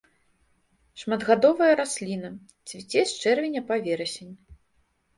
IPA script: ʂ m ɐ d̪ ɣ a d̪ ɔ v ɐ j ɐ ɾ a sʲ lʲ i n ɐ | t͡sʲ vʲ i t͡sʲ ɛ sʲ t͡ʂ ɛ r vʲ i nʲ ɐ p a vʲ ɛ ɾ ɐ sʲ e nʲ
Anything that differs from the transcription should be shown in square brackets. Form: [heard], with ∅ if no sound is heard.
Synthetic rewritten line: ʂ m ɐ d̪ ɣ a d̪ ɔ v ɐ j ɐ ɾ a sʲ lʲ i n ɐ | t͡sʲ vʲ i t͡sʲ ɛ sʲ t͡ʂ ɛ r vʲ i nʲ ɐ p a vʲ ɛ ɾ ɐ sʲ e nʲ